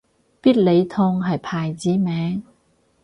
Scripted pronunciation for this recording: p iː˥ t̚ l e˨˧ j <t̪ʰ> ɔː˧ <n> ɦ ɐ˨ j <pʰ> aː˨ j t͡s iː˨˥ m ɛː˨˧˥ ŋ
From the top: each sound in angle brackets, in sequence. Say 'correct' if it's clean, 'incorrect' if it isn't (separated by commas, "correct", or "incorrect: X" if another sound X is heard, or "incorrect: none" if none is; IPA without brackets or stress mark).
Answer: correct, incorrect: ŋ, correct